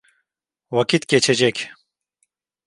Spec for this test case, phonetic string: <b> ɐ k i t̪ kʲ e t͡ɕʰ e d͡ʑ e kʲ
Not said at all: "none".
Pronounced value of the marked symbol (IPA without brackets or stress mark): w